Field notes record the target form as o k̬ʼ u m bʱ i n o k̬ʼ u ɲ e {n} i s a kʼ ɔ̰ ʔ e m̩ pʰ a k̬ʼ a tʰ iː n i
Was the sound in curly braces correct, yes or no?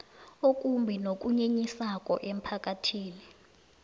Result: no